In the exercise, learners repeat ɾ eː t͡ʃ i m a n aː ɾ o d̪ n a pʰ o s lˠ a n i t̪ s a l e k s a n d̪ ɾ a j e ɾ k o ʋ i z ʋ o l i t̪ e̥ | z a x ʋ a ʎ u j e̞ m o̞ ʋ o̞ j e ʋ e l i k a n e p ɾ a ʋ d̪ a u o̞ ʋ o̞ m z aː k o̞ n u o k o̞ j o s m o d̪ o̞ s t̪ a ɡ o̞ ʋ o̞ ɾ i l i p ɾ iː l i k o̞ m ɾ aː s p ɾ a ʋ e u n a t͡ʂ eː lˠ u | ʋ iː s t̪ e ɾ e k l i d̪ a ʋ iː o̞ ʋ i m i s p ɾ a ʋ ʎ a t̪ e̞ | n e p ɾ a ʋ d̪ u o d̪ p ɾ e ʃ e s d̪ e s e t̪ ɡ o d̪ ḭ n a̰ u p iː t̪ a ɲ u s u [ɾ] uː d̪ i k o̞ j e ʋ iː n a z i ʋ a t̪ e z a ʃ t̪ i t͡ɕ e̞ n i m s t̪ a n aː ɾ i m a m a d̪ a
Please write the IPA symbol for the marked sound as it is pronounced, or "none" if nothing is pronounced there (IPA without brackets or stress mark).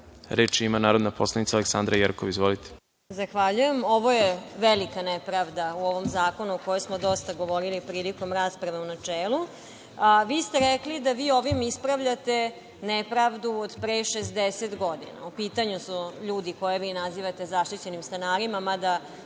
ʎ